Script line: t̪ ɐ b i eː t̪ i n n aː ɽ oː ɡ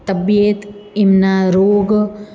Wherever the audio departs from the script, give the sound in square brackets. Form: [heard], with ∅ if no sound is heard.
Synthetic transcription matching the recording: t̪ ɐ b [j] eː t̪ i [m] n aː [ɾ] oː ɡ